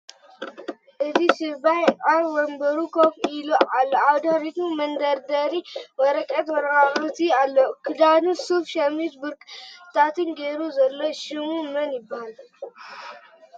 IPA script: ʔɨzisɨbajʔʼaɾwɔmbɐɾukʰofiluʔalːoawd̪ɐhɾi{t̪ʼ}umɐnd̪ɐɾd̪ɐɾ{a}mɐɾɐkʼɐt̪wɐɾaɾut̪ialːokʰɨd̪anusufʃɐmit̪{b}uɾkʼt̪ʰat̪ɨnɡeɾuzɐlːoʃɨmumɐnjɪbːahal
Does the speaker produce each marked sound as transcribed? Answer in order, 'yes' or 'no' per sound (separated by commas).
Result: no, no, yes